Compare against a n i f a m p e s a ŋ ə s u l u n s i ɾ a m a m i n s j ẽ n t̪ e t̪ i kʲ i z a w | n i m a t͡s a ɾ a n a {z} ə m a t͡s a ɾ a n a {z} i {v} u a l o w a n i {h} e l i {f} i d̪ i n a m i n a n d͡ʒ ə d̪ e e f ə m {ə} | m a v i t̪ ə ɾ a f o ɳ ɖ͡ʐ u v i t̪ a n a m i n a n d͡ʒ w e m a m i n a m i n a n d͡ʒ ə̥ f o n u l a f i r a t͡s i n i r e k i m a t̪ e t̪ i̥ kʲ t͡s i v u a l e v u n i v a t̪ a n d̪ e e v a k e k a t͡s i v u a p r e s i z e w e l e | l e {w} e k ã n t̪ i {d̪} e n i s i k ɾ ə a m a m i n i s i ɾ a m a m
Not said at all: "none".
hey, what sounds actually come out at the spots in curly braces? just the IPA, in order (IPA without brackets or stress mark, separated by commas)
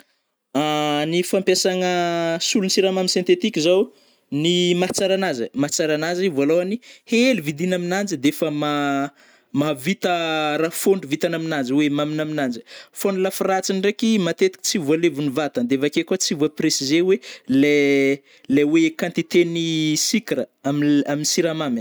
z, z, v, h, v, a, w, t̪